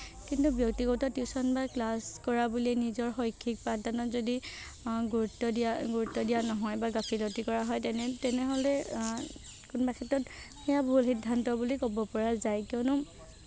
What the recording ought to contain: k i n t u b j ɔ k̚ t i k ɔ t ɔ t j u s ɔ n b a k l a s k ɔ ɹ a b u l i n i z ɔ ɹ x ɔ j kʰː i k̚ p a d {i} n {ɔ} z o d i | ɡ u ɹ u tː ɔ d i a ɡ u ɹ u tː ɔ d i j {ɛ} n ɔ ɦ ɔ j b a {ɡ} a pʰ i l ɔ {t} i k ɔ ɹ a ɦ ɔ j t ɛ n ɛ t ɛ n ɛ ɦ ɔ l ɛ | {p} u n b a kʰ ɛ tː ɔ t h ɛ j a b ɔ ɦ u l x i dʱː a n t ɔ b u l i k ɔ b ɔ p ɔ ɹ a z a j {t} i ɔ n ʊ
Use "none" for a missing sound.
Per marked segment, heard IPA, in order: a, ɔ, a, ɡ, t, k, k

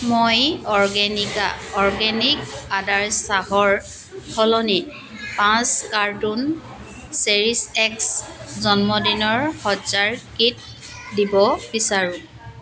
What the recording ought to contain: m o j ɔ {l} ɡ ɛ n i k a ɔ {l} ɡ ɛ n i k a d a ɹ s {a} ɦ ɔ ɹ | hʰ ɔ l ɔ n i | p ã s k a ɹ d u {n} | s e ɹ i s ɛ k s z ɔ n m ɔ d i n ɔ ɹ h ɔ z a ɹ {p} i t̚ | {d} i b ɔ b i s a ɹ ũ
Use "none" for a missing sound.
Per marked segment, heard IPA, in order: ɹ, ɹ, a, n, k, d

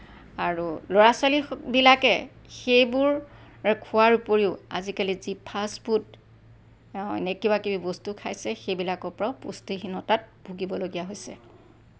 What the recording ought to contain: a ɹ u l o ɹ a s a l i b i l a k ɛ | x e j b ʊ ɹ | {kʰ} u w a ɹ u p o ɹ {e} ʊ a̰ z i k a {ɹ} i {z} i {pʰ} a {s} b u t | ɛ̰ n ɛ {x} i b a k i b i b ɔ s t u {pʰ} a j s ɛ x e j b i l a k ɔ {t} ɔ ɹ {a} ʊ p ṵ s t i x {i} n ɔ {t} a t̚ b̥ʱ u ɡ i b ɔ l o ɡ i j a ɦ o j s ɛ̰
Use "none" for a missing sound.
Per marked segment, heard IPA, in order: kʰ, i, l, z, pʰ, s, k, kʰ, p, a, i, t

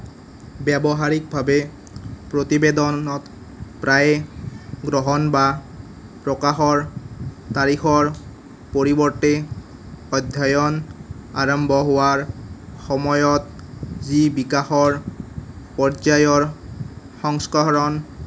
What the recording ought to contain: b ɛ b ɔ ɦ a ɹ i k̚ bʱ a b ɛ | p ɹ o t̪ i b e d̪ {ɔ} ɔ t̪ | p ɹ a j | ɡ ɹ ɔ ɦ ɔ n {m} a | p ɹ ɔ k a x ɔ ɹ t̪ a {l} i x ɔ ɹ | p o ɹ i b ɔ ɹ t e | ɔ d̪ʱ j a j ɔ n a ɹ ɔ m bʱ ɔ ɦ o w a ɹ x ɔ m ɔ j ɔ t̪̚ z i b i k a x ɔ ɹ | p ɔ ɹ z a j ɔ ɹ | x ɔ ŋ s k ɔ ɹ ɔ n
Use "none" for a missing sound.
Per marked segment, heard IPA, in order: ɔ, b, ɹ

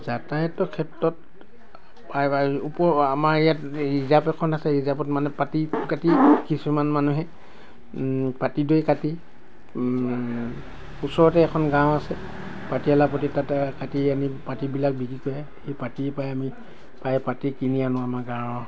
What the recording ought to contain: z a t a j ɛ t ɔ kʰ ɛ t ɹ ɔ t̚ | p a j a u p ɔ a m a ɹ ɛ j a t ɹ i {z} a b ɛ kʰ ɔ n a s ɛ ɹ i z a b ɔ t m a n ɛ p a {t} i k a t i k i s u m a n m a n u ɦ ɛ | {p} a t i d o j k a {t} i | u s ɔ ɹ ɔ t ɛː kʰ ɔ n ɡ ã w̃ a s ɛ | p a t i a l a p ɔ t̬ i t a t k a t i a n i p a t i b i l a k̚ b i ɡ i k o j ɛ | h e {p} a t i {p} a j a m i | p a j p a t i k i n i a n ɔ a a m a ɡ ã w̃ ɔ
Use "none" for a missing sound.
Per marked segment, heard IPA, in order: z, t, p, t, p, p

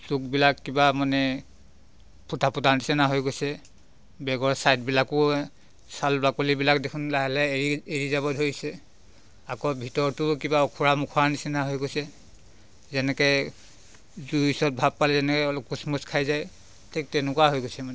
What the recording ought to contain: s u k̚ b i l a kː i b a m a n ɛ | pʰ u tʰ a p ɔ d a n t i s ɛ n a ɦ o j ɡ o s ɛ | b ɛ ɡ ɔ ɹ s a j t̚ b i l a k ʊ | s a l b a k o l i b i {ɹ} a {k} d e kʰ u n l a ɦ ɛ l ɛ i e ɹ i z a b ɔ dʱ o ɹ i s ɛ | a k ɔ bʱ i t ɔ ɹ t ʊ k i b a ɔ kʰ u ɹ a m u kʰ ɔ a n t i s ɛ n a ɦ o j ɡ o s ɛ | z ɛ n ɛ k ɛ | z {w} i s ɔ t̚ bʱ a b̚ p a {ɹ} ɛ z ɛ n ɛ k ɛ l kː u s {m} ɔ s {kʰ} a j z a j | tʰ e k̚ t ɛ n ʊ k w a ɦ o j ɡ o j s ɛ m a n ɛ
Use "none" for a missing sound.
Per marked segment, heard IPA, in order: l, k, u, l, m, kʰ

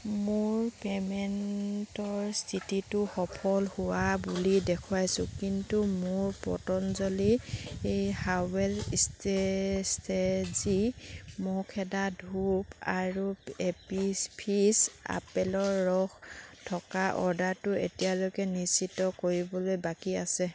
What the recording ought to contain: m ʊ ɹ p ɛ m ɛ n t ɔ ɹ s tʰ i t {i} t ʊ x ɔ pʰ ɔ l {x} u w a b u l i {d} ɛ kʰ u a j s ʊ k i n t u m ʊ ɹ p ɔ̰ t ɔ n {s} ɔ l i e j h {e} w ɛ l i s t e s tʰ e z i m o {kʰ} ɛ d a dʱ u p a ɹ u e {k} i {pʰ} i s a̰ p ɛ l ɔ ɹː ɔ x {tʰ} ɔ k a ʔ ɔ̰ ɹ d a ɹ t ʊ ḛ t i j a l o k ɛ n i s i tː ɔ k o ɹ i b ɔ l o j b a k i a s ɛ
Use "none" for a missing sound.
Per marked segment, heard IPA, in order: i, h, d, z, a, kʰ, p, pʰ, tʰ

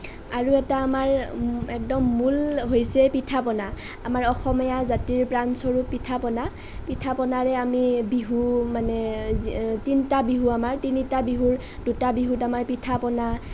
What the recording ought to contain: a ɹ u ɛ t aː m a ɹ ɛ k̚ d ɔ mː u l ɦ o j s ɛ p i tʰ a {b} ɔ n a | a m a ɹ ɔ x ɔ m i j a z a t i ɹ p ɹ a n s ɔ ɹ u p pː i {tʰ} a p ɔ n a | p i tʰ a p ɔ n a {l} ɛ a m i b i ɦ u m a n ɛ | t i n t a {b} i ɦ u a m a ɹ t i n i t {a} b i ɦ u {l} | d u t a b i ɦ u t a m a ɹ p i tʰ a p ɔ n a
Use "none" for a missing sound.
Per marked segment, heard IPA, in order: p, tʰ, ɹ, b, a, ɹ

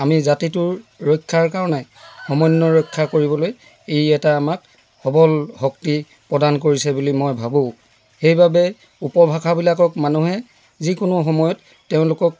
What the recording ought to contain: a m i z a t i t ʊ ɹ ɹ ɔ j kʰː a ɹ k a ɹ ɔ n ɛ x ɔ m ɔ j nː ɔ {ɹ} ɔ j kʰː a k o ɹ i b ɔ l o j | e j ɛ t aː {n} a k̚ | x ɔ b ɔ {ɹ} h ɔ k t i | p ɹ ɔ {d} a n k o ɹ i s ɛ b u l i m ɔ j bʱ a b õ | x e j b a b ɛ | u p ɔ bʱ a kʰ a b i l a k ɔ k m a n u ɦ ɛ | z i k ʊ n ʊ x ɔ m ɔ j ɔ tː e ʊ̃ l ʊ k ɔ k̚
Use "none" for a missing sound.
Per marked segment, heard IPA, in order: ɹ, m, l, d

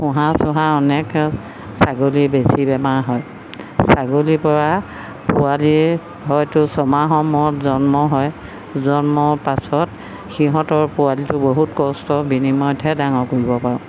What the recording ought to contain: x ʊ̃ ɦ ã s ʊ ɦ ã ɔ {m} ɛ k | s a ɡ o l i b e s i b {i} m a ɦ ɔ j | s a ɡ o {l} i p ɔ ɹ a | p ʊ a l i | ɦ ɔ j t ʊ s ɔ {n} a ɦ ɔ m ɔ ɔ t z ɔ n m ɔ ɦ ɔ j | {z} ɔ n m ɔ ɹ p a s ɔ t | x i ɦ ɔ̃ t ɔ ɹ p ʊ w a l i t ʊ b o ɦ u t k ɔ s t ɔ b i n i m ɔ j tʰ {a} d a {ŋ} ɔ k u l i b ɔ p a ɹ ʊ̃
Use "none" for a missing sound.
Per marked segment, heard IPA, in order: n, ɛ, l, m, z, ɛ, ŋ

